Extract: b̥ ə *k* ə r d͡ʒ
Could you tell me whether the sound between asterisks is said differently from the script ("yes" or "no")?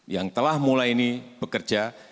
no